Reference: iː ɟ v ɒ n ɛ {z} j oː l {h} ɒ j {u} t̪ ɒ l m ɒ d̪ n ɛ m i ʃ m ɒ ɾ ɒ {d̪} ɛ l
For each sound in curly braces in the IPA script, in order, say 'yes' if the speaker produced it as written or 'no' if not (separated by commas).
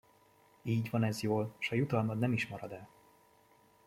yes, no, yes, yes